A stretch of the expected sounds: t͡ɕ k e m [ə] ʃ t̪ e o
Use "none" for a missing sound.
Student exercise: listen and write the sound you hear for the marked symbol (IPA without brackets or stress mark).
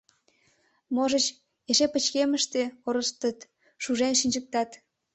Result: ə